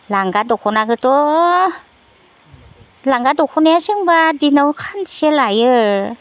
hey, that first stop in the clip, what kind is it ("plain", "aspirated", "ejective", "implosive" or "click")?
plain